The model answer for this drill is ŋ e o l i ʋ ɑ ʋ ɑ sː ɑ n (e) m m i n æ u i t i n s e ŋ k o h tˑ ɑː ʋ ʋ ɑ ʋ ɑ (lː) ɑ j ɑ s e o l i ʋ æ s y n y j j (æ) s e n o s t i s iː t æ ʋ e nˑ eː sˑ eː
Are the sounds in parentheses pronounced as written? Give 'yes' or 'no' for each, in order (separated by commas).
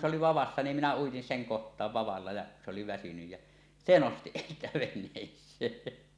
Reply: no, yes, yes